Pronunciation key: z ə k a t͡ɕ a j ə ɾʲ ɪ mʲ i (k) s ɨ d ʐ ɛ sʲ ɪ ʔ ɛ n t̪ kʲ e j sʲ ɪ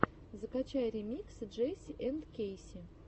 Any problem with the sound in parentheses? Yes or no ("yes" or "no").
no